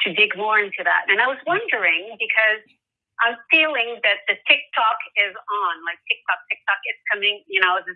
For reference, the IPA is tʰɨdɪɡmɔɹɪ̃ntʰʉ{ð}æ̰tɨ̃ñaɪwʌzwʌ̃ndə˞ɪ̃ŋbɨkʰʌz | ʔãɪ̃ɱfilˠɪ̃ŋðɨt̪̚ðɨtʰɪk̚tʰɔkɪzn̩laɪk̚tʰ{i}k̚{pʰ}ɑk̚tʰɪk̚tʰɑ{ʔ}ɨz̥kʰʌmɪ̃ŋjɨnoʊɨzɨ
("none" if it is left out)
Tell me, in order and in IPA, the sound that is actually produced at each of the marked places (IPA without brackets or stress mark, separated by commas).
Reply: ð, ɪ, tʰ, k